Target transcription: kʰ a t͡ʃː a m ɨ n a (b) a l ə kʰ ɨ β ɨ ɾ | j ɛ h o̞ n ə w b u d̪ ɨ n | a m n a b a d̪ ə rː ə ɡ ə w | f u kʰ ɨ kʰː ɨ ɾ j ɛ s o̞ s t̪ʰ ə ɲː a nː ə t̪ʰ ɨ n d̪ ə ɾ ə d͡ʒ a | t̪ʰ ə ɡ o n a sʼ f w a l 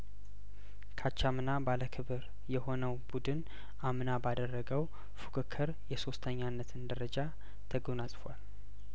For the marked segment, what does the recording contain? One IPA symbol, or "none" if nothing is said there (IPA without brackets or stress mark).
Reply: b